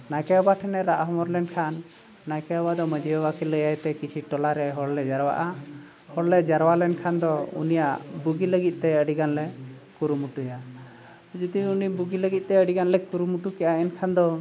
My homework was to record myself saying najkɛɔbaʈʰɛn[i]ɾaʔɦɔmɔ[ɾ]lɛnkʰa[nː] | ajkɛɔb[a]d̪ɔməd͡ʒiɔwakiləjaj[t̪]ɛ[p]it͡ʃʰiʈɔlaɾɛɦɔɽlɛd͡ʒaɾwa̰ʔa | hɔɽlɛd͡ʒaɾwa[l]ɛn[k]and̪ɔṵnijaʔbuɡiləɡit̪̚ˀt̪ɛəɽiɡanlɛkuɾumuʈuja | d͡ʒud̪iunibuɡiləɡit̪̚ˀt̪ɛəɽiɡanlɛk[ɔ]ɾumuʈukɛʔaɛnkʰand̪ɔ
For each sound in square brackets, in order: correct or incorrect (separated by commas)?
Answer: incorrect, correct, correct, correct, correct, incorrect, correct, incorrect, incorrect